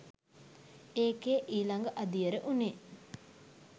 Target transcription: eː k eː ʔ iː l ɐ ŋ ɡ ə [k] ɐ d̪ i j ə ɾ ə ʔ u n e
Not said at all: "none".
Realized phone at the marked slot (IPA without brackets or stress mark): ʔ